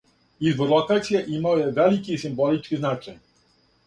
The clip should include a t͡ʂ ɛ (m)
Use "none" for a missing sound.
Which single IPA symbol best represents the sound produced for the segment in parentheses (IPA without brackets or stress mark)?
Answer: ɲ